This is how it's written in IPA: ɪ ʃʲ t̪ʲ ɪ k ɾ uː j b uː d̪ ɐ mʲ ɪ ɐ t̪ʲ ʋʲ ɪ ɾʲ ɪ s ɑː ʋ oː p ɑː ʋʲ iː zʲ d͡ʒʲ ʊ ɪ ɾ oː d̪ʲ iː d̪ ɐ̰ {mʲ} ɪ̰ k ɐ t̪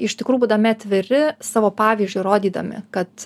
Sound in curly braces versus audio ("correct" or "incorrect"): correct